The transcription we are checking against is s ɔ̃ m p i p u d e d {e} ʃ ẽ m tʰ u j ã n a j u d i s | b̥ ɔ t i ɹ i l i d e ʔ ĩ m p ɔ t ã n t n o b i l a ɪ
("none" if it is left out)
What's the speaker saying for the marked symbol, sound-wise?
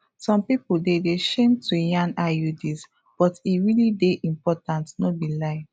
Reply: e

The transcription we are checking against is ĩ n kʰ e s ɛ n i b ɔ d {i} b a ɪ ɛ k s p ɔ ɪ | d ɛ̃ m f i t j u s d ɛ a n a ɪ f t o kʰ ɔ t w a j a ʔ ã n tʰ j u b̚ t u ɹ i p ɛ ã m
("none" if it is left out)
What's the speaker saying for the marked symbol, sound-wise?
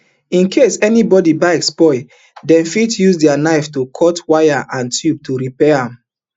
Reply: i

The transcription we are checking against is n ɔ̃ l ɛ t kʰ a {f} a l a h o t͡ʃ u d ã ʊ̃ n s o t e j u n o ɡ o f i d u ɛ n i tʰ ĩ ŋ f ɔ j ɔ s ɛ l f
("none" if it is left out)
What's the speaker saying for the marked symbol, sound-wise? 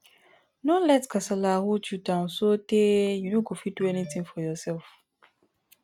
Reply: s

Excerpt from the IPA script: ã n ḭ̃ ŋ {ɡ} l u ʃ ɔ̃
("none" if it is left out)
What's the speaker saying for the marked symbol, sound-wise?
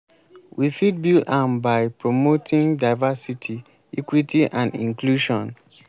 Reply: k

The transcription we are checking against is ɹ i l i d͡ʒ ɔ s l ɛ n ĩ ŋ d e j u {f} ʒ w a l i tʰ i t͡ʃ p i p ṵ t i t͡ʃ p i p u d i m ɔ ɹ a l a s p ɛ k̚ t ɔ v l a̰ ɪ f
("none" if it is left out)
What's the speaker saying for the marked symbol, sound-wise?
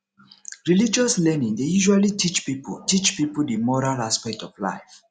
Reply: none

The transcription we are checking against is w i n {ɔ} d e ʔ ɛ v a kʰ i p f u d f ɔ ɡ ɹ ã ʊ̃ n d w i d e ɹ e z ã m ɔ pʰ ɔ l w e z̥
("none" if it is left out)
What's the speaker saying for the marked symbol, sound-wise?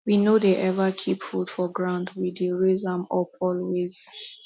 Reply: o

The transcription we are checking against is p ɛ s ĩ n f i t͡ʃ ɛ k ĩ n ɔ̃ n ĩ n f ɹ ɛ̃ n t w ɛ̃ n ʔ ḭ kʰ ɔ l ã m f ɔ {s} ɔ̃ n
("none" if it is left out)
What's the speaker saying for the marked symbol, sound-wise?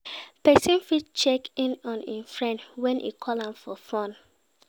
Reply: f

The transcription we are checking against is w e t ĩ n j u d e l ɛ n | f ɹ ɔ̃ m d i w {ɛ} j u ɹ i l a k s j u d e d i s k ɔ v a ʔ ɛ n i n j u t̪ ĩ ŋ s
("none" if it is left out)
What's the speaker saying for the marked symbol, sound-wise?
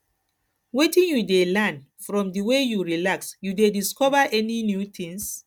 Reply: e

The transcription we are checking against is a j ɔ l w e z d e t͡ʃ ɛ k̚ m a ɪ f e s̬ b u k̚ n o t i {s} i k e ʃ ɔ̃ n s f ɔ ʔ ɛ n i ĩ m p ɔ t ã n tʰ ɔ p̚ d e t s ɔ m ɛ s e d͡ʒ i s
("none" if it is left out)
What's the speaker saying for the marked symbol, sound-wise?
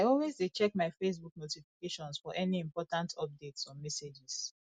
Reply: f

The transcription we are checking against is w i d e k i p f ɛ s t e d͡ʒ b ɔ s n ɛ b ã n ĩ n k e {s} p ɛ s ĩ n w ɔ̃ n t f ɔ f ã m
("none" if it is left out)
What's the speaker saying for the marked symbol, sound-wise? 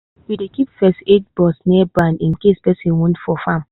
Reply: s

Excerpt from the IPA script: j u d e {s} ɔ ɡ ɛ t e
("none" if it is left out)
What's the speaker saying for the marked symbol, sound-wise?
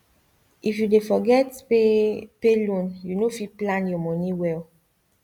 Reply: f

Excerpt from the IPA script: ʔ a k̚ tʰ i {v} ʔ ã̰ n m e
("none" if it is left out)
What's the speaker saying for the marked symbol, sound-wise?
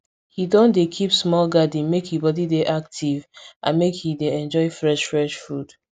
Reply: v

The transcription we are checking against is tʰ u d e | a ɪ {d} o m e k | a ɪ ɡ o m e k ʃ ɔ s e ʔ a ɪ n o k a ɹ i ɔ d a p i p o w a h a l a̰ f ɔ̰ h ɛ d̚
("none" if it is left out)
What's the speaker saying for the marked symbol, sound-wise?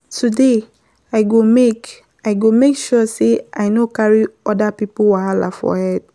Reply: ɡ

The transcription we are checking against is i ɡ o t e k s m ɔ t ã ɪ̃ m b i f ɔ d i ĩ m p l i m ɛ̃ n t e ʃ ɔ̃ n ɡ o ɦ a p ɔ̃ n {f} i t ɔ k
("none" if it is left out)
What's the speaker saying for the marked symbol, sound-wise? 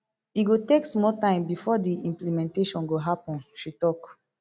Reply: ʃ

